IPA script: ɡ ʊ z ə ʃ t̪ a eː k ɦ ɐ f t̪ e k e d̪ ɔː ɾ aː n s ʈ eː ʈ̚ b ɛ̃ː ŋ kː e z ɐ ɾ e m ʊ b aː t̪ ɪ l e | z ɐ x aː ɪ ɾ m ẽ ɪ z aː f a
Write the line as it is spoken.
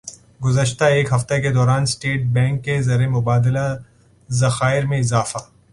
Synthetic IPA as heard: ɡ ʊ z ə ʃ t̪ a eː k ɦ ɐ f t̪ e k e d̪ ɔː ɾ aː n s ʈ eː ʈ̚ b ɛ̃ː ŋ kː e z ɐ ɾ e m ʊ b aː d̪ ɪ l a | z ɐ x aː ɪ ɾ m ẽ ɪ z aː f a

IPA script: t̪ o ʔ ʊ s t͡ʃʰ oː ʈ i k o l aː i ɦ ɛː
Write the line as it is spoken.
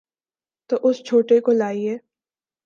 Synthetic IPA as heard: t̪ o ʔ ʊ s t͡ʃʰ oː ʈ e k o l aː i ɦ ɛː

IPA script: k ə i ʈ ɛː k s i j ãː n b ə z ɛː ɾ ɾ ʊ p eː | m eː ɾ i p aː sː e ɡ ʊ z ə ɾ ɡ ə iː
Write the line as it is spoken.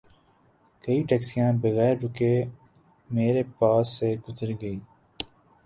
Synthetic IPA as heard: k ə i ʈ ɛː k s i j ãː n b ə ɣ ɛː ɾ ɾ ʊ k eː | m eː ɾ e p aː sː e ɡ ʊ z ə ɾ ɡ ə iː

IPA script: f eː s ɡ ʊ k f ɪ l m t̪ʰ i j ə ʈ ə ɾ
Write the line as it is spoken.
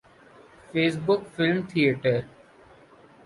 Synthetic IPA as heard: f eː s b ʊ k f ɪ l m t̪ʰ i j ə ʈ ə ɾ

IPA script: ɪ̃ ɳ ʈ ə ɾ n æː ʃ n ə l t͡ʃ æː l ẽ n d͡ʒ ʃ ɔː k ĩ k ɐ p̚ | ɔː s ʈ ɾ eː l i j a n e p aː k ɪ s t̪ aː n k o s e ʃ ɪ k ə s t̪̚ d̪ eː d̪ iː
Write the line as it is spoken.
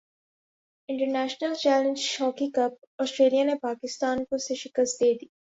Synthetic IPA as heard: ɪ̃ ɳ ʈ ə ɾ n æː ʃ n ə l t͡ʃ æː l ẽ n d͡ʒ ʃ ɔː k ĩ k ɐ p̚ | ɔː s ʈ ɾ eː l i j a n e p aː k ɪ s t̪ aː n k o s e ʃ ɪ k ə s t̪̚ d̪ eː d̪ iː

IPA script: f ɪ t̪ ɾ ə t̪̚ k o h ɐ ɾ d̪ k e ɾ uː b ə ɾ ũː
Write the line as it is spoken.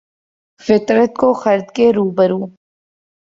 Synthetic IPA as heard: f ɪ t̪ ɾ ə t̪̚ k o x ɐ ɾ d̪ k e ɾ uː b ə ɾ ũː

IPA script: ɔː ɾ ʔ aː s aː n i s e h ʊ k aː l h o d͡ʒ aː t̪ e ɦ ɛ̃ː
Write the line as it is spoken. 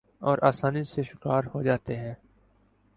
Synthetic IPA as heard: ɔː ɾ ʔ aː s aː n i s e ʃ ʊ k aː ɾ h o d͡ʒ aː t̪ e ɦ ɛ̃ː

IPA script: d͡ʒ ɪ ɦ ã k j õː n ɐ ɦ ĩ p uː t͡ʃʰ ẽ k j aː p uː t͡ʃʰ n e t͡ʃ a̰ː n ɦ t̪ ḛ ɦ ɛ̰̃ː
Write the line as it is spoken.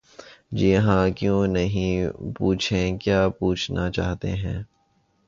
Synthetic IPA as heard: d͡ʒ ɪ ɦ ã k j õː n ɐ ɦ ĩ p uː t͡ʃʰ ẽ k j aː p uː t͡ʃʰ n a t͡ʃ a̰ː ɦ t̪ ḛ ɦ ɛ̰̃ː

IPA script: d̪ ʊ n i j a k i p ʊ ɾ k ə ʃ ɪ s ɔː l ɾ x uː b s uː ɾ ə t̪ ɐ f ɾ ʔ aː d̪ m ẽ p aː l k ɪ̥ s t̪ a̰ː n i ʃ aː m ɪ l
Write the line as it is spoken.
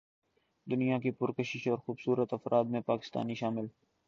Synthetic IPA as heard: d̪ ʊ n i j a k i p ʊ ɾ k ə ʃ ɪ ʃ ɔː ɾ x uː b s uː ɾ ə t̪ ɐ f ɾ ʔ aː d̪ m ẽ p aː k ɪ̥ s t̪ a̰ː n i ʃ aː m ɪ l

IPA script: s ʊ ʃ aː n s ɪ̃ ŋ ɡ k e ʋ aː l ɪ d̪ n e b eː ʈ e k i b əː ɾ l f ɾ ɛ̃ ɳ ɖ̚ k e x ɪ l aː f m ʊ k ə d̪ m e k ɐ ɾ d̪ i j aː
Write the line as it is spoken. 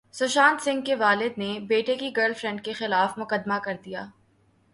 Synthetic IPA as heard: s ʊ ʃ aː n s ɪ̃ ŋ ɡ k e ʋ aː l ɪ d̪ n e b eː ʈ e k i ɡ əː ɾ l f ɾ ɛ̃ ɳ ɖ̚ k e x ɪ l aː f m ʊ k ə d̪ m a k ɐ ɾ d̪ i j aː

